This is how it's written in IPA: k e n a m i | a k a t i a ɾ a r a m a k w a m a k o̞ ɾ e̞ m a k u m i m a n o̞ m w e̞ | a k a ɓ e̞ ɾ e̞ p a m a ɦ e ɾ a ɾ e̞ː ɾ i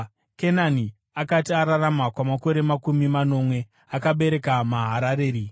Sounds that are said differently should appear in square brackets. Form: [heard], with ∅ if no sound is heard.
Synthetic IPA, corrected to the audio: k e n a [n] i | a k a t i a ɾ a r a m a k w a m a k o̞ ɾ e̞ m a k u m i m a n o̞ m w e̞ | a k a ɓ e̞ ɾ e̞ [k] a m a ɦ [a] ɾ a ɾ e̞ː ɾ i